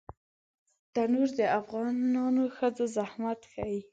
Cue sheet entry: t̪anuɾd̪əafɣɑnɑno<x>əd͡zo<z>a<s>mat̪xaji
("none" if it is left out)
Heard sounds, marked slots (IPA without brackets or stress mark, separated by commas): x, z, h